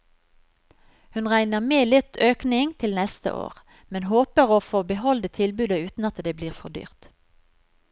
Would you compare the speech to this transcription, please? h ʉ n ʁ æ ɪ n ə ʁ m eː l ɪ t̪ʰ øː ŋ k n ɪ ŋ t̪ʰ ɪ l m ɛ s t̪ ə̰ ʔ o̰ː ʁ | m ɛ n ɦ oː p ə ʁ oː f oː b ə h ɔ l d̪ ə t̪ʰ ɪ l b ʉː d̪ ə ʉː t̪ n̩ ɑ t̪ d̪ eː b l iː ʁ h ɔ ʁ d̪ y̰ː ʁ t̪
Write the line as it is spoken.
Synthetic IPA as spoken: h ʉ n ʁ æ ɪ n ə ʁ m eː l ɪ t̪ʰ øː k n ɪ ŋ t̪ʰ ɪ l n ɛ s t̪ ə̰ ʔ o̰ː ʁ | m ɛ n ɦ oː p ə ʁ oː f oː b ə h ɔ l d̪ ə t̪ʰ ɪ l b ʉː d̪ ə ʉː t̪ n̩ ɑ t̪ d̪ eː b l iː ʁ f ɔ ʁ d̪ y̰ː ʁ t̪